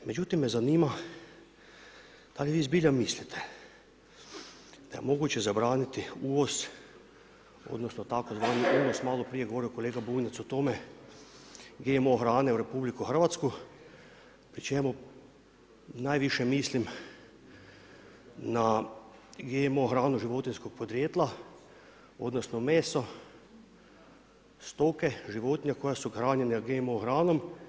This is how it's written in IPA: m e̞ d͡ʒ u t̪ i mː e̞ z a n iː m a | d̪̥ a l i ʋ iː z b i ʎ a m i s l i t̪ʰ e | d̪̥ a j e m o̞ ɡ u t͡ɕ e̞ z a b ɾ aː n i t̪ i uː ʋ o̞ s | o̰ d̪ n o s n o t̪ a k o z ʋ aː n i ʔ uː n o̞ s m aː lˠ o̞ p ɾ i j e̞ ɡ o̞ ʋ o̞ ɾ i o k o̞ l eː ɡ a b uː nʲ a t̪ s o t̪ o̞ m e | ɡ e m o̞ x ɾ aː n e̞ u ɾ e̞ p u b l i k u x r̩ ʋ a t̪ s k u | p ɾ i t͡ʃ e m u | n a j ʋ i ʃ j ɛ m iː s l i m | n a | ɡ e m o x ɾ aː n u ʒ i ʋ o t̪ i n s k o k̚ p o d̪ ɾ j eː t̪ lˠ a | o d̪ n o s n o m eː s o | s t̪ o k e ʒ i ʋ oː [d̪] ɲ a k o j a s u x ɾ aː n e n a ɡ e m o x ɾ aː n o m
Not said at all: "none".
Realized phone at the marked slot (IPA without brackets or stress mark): t̪